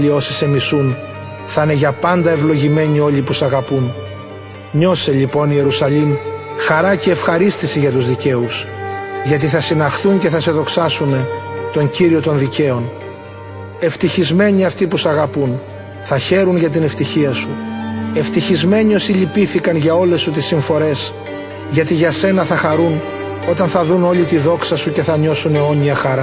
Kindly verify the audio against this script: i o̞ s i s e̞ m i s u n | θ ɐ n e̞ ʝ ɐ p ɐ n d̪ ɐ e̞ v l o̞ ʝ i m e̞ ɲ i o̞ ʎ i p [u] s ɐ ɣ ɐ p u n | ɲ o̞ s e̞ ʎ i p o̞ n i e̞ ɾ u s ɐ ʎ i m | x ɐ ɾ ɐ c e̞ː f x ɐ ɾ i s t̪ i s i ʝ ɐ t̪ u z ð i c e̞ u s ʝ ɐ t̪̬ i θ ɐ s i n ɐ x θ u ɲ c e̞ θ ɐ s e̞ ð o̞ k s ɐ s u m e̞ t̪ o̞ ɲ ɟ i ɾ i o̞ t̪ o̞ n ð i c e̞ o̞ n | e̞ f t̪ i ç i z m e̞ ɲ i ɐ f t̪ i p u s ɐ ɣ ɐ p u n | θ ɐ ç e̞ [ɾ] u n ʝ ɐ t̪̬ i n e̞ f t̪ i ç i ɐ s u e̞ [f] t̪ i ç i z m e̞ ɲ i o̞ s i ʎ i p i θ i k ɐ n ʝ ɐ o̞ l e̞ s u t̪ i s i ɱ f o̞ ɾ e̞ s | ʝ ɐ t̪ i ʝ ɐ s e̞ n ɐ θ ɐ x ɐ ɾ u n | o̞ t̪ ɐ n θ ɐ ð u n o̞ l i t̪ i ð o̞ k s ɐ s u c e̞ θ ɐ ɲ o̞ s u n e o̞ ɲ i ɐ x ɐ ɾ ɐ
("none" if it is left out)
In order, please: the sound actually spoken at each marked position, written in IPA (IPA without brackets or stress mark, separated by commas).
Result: u, ɾ, f